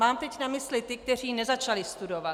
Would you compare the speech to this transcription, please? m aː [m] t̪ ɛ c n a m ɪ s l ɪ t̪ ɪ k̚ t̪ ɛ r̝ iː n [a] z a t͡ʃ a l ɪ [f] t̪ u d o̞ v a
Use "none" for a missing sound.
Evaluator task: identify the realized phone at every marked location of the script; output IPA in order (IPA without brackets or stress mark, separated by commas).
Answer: m, ɛ, s